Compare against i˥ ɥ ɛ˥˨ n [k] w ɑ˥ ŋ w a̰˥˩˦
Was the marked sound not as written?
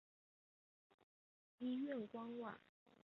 no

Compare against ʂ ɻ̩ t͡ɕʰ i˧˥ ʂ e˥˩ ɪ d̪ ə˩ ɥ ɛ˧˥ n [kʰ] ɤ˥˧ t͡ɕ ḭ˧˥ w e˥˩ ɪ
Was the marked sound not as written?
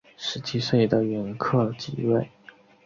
no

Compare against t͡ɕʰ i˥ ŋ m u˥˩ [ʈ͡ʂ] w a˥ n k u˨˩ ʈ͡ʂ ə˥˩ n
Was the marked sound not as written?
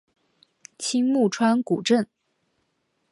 yes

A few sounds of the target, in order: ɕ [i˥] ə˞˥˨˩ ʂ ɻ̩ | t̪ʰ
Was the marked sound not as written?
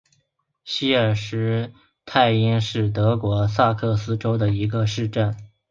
no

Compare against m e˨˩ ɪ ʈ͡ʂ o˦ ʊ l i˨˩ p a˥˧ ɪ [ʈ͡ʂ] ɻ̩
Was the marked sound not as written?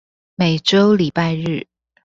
yes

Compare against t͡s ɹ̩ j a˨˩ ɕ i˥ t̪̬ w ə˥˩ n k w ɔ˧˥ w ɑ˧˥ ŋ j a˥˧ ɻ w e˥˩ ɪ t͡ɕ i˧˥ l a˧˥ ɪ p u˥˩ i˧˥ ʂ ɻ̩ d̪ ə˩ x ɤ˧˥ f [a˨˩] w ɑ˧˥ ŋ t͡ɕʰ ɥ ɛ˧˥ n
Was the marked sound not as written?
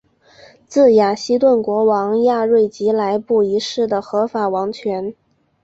no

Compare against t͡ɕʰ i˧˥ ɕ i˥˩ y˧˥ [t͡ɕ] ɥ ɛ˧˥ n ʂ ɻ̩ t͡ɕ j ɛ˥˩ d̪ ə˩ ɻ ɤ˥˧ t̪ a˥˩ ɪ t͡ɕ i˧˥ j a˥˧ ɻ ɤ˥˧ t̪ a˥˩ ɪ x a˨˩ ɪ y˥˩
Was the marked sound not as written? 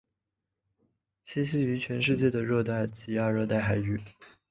yes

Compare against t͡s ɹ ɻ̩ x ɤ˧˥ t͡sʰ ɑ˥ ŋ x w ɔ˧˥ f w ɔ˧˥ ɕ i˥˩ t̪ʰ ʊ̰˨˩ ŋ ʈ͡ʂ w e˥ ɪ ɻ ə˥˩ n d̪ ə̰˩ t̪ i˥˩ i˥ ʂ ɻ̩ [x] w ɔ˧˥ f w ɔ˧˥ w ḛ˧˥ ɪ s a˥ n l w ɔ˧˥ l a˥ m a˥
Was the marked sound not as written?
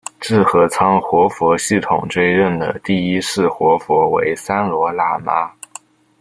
no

